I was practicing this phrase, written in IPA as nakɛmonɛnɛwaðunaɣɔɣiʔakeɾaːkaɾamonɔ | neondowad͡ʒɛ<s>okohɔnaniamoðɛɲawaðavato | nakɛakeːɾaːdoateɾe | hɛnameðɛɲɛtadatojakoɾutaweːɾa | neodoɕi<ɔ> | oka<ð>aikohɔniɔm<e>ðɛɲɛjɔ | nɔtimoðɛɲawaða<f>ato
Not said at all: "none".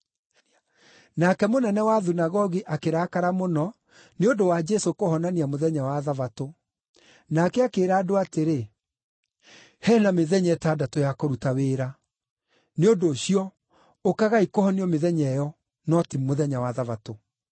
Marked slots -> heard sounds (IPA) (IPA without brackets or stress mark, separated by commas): s, ɔ, ɣ, e, v